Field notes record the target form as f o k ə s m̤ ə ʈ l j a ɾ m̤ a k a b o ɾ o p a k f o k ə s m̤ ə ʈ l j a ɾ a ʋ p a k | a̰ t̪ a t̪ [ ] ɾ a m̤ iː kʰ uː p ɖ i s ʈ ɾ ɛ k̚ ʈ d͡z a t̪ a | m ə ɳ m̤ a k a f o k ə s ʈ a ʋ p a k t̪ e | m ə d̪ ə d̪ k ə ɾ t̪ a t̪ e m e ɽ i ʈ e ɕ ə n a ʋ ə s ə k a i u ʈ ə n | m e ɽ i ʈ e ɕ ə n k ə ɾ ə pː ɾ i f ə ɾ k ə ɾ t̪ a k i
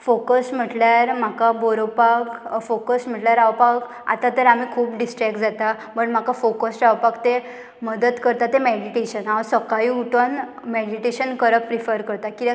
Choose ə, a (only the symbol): ə